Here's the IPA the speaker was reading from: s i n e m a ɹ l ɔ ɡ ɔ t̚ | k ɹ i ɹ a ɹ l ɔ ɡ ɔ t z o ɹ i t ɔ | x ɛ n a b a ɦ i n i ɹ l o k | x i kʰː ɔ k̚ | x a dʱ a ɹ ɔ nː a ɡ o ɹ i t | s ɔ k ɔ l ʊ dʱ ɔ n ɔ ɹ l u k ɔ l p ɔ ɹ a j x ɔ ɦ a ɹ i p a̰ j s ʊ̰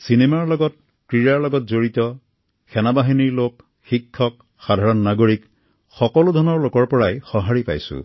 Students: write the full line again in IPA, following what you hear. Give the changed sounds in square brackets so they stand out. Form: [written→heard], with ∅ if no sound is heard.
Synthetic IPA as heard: s i n e m a ɹ l ɔ ɡ ɔ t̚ | k ɹ i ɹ a ɹ l ɔ ɡ ɔ t z o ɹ i t ɔ | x ɛ n a b a ɦ i n i ɹ l o k | x i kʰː ɔ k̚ | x a dʱ a ɹ ɔ nː a ɡ o ɹ i [t→k] | [s→x] ɔ k ɔ l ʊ dʱ ɔ n ɔ ɹ l [u→o] k ɔ [l→ɹ] p ɔ ɹ a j x ɔ ɦ a ɹ i p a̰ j s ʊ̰

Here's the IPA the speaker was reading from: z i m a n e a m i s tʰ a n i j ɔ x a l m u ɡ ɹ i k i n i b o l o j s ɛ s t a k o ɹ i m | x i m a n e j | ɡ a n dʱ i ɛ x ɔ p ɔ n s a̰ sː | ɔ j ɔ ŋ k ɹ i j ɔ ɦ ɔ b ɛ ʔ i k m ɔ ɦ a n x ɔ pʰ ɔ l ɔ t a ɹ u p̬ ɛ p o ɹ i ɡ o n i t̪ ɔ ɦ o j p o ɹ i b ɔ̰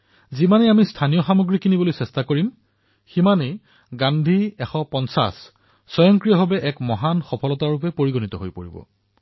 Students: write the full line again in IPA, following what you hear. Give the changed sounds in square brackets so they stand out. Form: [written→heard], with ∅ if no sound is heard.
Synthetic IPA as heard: z i m a n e a m i s tʰ a n i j ɔ x a [l→∅] m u ɡ ɹ i k i n i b o l o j s ɛ s t a k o ɹ i m | x i m a n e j | ɡ a n dʱ i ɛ x ɔ p ɔ n s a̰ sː | ɔ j ɔ ŋ k ɹ i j ɔ ɦ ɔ b ɛ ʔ [i→ɛ] k m ɔ ɦ a n x ɔ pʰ ɔ l ɔ t a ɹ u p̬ ɛ p o ɹ i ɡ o n i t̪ ɔ ɦ o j p o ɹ i b ɔ̰

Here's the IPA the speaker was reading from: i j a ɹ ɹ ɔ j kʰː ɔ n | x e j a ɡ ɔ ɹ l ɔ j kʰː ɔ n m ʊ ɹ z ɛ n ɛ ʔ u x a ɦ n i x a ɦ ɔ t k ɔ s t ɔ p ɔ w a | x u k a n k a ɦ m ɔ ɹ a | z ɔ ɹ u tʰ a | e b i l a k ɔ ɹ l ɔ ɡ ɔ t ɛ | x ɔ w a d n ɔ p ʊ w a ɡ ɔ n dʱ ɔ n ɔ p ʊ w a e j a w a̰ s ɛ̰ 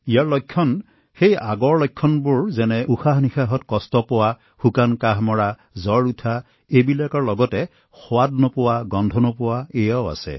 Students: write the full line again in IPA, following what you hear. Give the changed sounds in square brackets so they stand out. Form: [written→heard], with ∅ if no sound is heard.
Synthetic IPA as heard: i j a ɹ [ɹ→l] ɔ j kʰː ɔ n | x e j a ɡ ɔ ɹ l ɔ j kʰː ɔ n [m→b] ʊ ɹ z ɛ n ɛ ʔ u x a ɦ n i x a ɦ ɔ t k ɔ s t ɔ p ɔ w a | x u k a n k a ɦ m ɔ ɹ a | z ɔ ɹ u tʰ a | e b i l a k ɔ ɹ l ɔ ɡ ɔ t ɛ | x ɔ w a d n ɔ p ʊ w a ɡ ɔ n dʱ ɔ n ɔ p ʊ w a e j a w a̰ s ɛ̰

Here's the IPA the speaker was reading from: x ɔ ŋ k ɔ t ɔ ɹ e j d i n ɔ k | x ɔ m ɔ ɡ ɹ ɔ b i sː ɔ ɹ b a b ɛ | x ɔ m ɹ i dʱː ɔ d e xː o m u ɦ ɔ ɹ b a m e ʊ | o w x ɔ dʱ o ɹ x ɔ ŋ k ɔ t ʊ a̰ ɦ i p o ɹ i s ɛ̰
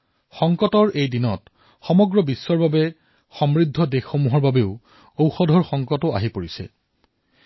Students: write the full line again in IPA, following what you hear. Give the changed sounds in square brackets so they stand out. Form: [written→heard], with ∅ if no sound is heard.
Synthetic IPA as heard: x ɔ ŋ k ɔ t ɔ ɹ e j d i n ɔ [k→t] | x ɔ m ɔ ɡ ɹ ɔ b i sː ɔ ɹ b a b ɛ | x ɔ m ɹ i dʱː ɔ d e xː o m u ɦ ɔ ɹ b a [m→b] e ʊ | o w x ɔ dʱ [o→ɔ] ɹ x ɔ ŋ k ɔ t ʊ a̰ ɦ i p o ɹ i s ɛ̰

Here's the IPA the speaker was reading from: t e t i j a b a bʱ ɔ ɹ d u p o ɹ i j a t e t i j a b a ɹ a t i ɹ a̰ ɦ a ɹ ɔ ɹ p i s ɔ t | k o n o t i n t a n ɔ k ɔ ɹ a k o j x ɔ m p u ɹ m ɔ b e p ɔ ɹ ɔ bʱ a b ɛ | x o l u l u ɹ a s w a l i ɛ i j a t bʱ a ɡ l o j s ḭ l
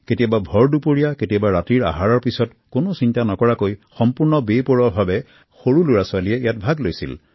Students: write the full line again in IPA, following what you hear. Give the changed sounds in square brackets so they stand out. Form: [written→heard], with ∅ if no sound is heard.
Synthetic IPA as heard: [t→k] e t i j a b a bʱ ɔ ɹ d u p o ɹ i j a [t→k] e t i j a b a ɹ a t i ɹ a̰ ɦ a ɹ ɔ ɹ p i s ɔ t | k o n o [t→s] i n t a n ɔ k ɔ ɹ a k o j x ɔ m p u ɹ [m→n] ɔ b e p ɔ ɹ ɔ bʱ a b ɛ | x o [l→ɹ] u l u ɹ a s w a l i ɛ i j a t bʱ a ɡ l o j s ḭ l

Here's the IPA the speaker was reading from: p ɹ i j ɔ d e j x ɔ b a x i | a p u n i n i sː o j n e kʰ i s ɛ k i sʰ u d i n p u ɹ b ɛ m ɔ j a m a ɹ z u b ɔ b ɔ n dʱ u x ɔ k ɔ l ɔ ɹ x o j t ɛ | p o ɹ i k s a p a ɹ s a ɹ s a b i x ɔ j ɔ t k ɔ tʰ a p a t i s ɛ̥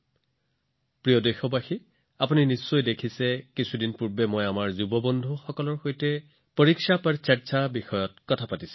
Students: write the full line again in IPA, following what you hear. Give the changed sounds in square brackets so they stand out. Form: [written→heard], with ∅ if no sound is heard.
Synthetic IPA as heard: p ɹ i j ɔ d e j x ɔ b a x i | a p u n i n i sː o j [n→d] e kʰ i s ɛ k i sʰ u d i n p u ɹ b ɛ m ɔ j a m a ɹ z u b ɔ b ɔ n dʱ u x ɔ k ɔ l ɔ ɹ x o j t ɛ | p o ɹ i k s a p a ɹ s a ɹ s a b i x ɔ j ɔ t k ɔ tʰ a p a t i s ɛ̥

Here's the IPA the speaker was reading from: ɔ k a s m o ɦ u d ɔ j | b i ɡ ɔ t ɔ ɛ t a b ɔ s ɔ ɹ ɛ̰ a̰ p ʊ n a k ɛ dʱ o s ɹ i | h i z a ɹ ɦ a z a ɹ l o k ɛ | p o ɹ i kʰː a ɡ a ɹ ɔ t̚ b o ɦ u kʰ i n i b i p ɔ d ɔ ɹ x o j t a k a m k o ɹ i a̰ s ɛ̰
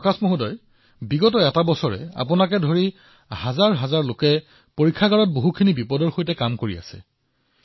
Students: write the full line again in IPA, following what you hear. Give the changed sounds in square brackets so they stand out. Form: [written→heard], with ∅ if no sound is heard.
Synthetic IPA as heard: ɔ k a s m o ɦ u d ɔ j | b i ɡ ɔ t ɔ ɛ t a b ɔ s ɔ ɹ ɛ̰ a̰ p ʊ n a k ɛ dʱ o [s→∅] ɹ i | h [i→a] z a ɹ ɦ a z a ɹ l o k ɛ | p o ɹ i kʰː a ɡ a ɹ ɔ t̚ b o ɦ u kʰ i n i b i p ɔ d ɔ ɹ x o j t [a→ɛ] k a m k o ɹ i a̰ s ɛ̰

